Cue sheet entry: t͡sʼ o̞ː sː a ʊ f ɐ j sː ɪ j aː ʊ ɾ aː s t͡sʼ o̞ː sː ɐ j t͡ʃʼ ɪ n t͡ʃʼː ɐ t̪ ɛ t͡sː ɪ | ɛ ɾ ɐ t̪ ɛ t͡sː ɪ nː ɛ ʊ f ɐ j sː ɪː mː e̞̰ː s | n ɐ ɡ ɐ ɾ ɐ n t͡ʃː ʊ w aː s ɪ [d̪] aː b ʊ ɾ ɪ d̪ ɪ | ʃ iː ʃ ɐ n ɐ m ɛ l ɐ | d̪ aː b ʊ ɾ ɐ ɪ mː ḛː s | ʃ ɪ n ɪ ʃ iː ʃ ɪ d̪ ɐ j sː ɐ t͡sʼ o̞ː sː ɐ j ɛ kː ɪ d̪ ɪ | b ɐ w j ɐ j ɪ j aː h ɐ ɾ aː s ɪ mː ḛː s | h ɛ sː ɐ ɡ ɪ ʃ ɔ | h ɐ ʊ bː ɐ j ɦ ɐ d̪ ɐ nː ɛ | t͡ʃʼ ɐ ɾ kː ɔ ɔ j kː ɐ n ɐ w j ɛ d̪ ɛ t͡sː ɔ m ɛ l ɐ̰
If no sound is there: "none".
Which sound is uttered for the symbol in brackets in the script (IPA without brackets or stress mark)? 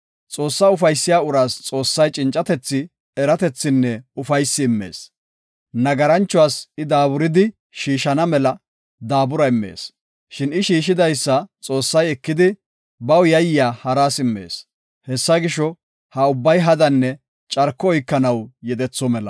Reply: d̪